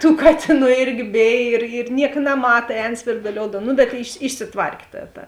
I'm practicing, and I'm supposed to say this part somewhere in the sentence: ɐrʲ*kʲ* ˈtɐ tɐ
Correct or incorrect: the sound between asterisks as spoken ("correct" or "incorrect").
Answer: correct